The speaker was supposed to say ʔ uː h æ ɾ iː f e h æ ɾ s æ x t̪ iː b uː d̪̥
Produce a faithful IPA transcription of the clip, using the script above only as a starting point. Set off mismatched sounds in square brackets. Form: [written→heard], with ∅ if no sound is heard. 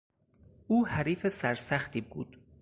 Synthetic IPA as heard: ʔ uː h æ ɾ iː f e [h→s] æ ɾ s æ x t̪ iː b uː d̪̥